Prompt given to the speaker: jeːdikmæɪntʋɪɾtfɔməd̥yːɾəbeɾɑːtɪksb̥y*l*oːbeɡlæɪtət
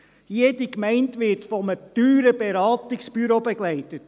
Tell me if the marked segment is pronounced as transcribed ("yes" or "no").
no